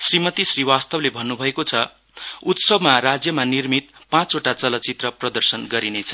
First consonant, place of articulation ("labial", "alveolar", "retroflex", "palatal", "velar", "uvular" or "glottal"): alveolar